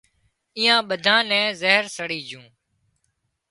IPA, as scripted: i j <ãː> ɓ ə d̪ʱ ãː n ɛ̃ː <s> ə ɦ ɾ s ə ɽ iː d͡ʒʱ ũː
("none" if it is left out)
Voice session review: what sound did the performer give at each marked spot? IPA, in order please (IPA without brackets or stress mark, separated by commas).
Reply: ãː, z